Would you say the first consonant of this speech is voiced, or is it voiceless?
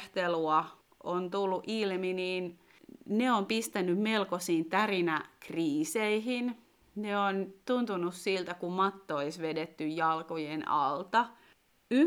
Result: voiceless